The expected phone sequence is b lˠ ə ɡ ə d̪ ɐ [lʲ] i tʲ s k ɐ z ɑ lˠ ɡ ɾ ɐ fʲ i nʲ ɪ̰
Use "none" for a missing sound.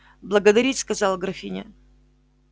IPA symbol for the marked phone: ɾʲ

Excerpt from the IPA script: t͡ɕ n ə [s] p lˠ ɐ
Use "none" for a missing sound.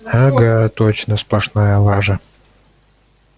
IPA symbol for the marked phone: s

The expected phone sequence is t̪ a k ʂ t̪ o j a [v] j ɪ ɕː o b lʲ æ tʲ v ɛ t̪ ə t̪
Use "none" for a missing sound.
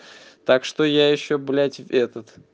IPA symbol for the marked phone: none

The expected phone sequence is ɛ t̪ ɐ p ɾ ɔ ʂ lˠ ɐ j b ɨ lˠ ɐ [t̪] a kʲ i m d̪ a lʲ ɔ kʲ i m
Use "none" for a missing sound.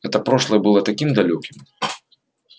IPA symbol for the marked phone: t̪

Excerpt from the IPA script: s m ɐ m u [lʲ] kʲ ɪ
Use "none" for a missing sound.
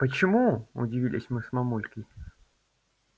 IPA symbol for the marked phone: lʲ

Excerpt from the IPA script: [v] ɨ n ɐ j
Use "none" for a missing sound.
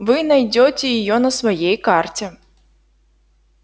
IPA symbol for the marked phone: v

